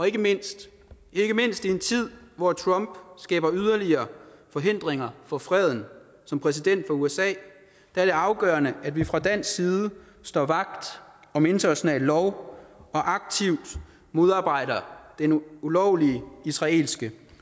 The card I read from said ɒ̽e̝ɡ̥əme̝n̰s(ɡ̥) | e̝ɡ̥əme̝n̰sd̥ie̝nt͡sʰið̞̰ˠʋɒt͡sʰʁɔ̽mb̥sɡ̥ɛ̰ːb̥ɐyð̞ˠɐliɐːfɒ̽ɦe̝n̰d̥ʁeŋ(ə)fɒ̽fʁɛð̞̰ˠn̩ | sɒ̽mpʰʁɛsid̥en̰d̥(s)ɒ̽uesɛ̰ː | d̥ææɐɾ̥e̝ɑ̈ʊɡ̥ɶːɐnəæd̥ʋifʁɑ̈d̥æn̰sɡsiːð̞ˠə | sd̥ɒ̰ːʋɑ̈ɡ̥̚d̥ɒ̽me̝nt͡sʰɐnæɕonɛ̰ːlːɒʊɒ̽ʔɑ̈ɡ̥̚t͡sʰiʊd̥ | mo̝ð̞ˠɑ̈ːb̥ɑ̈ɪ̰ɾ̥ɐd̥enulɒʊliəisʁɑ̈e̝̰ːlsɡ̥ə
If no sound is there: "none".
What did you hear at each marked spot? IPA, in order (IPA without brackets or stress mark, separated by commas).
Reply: d̥, ɐ, f